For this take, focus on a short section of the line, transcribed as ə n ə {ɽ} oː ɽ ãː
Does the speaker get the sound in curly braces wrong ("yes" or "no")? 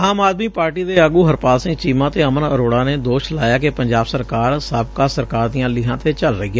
yes